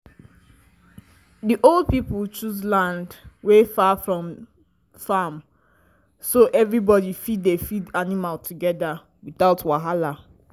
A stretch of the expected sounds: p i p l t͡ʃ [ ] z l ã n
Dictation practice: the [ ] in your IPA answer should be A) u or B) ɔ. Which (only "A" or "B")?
A